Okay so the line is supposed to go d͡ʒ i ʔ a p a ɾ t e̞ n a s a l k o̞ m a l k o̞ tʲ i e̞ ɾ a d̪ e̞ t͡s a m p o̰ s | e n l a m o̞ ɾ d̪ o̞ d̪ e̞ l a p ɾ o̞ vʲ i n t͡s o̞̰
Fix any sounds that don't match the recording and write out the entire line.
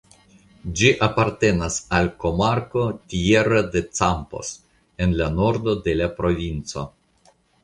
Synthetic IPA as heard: d͡ʒ i ʔ a p a ɾ t e̞ n a s a l k o̞ m a ɾ k o̞ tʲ i e̞ ɾ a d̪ e̞ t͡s a m p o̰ s | e n l a n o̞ ɾ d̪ o̞ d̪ e̞ l a p ɾ o̞ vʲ i n t͡s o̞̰